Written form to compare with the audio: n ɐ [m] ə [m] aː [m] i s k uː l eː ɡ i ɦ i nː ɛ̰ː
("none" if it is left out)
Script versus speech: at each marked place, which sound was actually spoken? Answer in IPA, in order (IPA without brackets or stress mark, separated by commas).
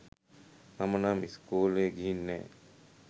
m, n, m